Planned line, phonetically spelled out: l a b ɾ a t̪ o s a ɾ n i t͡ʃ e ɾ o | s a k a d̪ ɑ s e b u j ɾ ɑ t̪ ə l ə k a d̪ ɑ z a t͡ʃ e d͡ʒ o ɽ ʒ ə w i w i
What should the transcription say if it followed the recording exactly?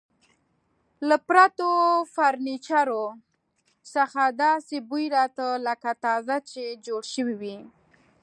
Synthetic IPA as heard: l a p ɾ a t̪ o f a ɾ n i t͡ʃ a ɾ o | s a x a d̪ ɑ s e b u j ɾ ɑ t̪ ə l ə k a t̪ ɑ z a t͡ʃ e d͡ʒ o ɽ ʃ ə w i w i